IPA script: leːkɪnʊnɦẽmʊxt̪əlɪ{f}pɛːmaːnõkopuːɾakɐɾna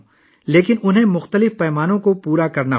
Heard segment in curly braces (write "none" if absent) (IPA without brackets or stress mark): f